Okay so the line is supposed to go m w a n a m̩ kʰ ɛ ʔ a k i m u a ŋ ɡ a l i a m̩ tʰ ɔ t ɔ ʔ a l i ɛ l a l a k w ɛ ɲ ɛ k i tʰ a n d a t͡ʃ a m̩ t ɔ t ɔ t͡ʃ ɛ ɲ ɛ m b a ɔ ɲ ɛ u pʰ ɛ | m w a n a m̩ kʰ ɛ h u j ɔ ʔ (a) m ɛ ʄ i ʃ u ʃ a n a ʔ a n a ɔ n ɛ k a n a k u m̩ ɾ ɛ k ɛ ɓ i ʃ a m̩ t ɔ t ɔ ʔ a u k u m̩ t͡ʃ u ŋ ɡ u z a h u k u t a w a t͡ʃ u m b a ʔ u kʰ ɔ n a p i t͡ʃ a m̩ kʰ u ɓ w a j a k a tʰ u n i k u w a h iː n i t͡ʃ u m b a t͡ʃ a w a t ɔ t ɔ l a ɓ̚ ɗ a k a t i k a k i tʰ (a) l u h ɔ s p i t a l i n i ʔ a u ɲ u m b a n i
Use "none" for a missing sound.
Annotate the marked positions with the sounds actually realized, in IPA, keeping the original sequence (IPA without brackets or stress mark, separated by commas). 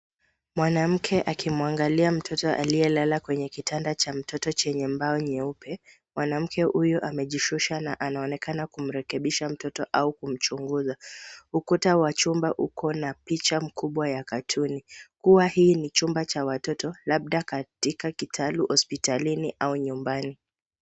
a, a